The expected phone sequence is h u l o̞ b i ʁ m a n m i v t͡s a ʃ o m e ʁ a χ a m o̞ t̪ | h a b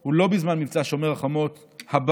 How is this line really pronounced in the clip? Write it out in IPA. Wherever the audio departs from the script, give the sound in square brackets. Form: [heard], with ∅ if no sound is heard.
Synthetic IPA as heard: h u l o̞ b i [z] m a n m i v t͡s a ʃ o m e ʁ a χ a m o̞ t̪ | h a b